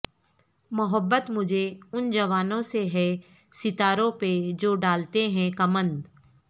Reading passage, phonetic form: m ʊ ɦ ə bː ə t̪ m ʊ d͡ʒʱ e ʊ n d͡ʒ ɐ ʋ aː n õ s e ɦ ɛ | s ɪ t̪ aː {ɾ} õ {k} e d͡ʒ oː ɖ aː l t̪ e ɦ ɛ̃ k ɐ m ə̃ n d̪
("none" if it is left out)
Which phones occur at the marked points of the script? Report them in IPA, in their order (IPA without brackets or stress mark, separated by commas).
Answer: ɾ, p